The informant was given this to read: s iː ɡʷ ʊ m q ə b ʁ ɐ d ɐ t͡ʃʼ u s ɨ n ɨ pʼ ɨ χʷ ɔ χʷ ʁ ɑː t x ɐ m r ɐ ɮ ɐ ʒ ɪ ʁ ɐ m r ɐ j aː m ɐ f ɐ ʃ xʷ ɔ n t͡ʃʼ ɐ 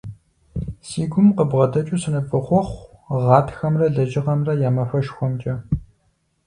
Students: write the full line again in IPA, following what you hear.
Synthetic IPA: s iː ɡʷ ʊ m q ə b ʁ ɐ d ɐ t͡ʃʼ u s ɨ n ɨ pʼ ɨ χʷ ɔ χʷ ʁ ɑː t x ɐ m r ɐ ɮ ɐ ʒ ɪ ʁ ɐ m r ɐ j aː m ɐ f ɐ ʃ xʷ ɔ m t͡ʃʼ ɐ

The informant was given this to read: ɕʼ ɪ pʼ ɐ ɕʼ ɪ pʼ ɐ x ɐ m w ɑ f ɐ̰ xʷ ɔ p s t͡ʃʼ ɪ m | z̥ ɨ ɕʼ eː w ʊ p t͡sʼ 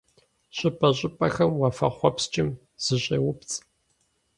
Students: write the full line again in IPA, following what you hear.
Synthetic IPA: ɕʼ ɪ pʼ ɐ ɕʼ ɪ pʼ ɐ x ɐ m w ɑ f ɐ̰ χʷ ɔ p s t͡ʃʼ ɪ m | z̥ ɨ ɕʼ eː w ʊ p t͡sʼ

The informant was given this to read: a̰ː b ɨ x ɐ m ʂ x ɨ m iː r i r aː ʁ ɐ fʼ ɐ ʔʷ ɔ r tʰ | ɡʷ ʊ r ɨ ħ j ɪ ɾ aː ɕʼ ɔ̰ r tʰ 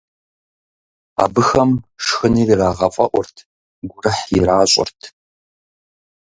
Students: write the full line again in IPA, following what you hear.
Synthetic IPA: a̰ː b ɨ x ɐ m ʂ x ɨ n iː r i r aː ʁ ɐ fʼ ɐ ʔʷ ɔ r tʰ | ɡʷ ʊ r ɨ ħ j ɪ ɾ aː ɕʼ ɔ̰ r tʰ

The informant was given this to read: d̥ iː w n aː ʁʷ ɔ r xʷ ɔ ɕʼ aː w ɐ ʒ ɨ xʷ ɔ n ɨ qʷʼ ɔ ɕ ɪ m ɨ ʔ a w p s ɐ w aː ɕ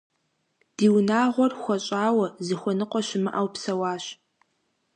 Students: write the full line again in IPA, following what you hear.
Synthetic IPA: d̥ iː w n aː ʁʷ ɔ r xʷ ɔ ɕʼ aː w ɐ z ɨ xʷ ɔ n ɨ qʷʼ ɔ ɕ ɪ m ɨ ʔ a w p s ɐ w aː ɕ

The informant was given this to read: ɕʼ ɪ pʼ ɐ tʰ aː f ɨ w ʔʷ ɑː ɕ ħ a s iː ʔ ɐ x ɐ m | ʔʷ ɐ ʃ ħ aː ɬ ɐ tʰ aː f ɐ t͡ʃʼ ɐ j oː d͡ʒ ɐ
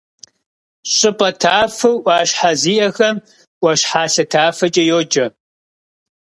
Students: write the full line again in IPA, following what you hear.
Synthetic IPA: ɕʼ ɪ pʼ ɐ tʰ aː f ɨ w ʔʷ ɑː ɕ ħ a z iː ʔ ɐ x ɐ m | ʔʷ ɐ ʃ ħ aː ɬ ɐ tʰ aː f ɐ t͡ʃʼ ɐ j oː d͡ʒ ɐ

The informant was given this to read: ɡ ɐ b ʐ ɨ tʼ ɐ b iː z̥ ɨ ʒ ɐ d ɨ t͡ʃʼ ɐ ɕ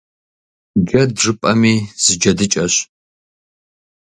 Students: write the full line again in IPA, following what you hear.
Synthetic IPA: ɡ ɐ d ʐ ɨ pʼ ɐ m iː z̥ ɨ d͡ʒ ɐ d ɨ t͡ʃʼ ɐ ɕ

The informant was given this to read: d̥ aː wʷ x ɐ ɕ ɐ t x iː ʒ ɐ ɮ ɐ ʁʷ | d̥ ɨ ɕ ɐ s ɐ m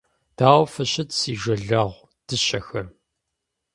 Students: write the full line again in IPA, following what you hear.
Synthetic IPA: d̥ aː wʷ f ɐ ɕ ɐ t s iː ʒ ɐ ɮ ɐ ʁʷ | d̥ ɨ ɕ ɐ x ɐ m

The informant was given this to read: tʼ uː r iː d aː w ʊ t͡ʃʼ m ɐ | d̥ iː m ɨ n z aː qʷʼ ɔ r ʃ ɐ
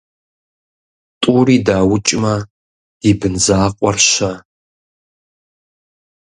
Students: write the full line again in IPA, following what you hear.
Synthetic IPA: tʼ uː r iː d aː w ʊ t͡ʃʼ m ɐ | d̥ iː b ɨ n z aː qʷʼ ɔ r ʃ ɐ

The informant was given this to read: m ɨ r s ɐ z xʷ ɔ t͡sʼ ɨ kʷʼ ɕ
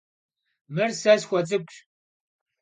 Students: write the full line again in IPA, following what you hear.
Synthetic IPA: m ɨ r s ɐ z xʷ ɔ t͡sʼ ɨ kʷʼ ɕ

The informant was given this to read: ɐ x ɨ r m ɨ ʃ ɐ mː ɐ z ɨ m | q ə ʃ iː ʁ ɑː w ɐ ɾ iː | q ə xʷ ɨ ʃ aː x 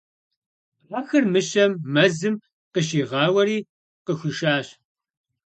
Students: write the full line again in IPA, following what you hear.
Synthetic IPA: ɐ x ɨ r m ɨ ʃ ɐ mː ɐ z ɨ m | q ə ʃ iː ʁ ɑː w ɐ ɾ iː | q ə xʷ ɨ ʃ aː ɕ

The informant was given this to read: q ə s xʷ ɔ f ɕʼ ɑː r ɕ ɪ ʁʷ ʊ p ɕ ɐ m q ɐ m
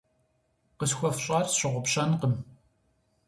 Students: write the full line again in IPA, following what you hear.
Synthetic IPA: q ə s xʷ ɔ f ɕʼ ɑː r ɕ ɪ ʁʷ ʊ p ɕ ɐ n q ə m

